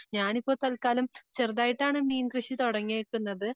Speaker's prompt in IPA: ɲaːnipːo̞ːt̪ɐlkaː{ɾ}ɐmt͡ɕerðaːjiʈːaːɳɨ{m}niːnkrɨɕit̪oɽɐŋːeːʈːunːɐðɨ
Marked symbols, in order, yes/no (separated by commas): no, yes